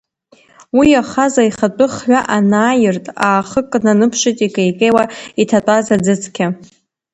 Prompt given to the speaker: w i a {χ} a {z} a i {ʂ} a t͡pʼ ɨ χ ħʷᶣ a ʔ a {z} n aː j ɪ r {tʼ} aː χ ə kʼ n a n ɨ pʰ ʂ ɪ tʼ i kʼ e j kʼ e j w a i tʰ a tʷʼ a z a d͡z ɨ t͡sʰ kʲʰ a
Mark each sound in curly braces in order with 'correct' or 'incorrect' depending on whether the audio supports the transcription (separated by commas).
correct, correct, incorrect, incorrect, correct